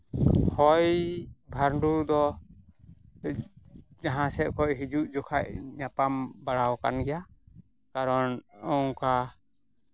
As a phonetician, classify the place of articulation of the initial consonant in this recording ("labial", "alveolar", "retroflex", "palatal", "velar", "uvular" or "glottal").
glottal